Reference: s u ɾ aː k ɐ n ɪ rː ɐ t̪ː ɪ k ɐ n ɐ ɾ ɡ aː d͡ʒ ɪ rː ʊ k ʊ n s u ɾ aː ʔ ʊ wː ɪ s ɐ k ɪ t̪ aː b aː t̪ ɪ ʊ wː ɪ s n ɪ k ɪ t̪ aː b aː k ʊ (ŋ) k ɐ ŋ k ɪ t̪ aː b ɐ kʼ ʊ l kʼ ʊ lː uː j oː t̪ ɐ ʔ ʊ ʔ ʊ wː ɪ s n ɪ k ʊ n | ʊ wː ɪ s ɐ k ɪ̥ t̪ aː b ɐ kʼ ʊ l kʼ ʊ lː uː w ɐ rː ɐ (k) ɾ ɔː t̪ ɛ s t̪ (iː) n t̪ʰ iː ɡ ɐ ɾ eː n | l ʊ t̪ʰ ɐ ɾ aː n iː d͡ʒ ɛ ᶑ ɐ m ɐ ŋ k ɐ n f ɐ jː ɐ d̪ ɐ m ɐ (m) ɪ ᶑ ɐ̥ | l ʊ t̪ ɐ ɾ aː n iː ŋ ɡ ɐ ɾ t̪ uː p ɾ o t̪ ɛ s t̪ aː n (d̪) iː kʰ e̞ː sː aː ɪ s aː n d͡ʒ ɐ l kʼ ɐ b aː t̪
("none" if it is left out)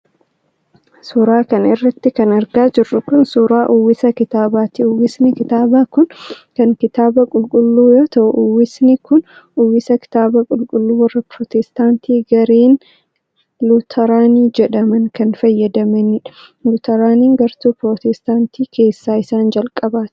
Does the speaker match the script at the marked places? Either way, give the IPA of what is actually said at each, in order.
n, p, aː, n, t̪

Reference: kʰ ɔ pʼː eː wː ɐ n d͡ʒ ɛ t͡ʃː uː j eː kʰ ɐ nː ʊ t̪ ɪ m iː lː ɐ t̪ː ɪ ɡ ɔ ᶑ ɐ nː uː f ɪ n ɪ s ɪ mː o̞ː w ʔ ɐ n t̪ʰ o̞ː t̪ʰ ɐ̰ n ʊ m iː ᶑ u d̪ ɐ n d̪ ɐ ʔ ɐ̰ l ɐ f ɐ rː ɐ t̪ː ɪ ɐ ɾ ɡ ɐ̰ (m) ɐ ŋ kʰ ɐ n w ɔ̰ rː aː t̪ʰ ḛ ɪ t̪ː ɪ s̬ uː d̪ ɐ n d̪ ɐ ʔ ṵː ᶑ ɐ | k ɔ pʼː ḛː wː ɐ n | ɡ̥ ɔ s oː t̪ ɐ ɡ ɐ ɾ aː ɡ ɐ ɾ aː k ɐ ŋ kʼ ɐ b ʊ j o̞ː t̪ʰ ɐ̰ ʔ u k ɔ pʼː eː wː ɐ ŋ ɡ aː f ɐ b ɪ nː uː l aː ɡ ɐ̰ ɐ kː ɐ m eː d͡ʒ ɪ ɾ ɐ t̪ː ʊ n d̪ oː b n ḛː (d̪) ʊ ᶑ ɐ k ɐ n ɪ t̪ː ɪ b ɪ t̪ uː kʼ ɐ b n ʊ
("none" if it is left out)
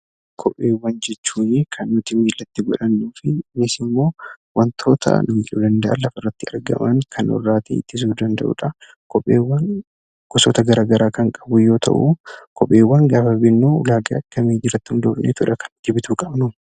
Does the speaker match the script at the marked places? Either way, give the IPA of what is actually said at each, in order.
m, t̪

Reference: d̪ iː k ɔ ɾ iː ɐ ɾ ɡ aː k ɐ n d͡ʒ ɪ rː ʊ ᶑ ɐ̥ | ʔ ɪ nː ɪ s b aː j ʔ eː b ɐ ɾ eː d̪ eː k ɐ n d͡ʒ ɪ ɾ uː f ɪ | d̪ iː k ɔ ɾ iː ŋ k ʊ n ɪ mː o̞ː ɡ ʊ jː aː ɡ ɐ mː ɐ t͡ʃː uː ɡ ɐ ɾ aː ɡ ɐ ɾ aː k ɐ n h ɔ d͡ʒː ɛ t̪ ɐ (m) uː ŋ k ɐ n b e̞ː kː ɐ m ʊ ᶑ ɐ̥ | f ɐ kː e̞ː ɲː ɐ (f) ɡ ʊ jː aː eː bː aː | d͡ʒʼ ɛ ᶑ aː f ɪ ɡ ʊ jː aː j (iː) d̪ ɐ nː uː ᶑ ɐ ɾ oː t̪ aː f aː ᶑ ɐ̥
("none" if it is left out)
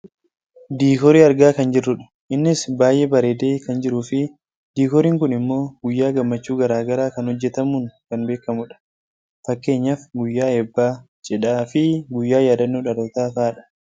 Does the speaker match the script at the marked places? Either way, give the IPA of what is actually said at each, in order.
m, f, aː

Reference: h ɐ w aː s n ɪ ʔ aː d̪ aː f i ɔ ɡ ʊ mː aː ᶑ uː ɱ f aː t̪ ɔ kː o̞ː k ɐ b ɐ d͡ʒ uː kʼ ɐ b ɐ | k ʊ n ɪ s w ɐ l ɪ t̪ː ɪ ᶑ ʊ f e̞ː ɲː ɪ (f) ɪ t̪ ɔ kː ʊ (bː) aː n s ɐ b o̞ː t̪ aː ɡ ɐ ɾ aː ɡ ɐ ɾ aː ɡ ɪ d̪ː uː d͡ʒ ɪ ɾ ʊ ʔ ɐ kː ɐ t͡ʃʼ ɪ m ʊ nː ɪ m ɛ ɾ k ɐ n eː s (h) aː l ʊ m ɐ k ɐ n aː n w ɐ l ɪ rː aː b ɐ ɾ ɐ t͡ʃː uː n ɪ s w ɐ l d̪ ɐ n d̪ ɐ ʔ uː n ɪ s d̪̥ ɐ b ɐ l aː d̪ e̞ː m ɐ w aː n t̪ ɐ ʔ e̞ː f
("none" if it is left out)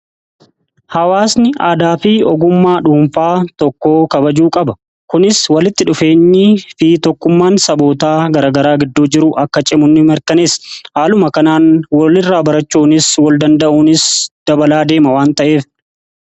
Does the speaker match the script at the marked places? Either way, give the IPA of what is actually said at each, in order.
f, mː, h

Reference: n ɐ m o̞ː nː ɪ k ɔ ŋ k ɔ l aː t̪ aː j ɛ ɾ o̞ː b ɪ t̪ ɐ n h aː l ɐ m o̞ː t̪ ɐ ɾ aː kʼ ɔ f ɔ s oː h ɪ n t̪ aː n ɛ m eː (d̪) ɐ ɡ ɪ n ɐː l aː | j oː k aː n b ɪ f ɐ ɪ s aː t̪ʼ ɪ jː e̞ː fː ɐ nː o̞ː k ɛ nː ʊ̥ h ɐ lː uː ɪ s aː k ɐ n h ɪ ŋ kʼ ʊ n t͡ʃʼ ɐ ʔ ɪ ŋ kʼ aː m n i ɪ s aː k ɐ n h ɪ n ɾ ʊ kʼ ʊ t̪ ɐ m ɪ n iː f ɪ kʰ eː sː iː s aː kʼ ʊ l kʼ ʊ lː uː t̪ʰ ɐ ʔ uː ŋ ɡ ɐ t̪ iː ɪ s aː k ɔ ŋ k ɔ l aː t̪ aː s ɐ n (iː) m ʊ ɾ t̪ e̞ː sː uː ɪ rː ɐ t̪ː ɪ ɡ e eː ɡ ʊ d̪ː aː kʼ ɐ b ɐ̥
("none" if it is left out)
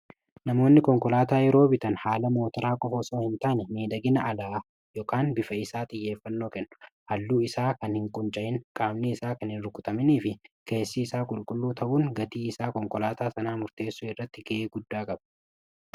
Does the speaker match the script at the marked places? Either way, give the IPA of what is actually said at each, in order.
d̪, aː

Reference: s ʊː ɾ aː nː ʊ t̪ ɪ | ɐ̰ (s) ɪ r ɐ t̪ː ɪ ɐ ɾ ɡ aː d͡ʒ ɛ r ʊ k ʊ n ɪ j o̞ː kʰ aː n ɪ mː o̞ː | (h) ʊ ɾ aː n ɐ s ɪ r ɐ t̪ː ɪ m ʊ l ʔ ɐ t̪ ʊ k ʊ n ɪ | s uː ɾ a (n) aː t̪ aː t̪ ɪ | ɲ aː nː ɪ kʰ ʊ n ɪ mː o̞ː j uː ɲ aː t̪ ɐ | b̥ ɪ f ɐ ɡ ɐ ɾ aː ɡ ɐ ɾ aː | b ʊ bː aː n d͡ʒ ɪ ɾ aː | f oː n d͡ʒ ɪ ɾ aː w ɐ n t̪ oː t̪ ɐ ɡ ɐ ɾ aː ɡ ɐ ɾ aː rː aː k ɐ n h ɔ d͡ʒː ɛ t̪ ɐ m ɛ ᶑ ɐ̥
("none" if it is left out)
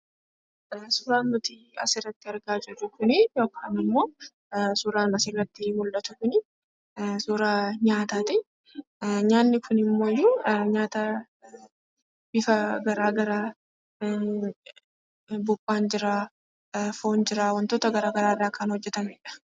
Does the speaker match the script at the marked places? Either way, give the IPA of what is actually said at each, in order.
s, s, ɲ

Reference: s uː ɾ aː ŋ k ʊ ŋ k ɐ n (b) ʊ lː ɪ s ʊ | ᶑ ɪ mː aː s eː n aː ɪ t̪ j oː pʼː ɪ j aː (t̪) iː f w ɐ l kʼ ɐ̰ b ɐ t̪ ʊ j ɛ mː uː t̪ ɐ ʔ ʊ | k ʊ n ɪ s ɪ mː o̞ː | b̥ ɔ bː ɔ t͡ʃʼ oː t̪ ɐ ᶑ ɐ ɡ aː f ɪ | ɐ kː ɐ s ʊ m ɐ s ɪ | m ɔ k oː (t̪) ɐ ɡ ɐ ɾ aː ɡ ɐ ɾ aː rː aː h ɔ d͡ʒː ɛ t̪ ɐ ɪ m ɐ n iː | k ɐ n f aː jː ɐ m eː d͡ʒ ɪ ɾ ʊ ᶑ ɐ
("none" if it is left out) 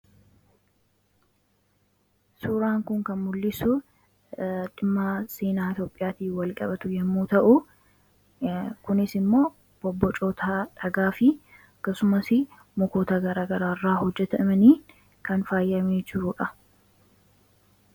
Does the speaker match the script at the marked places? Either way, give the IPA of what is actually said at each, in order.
m, t̪, t̪

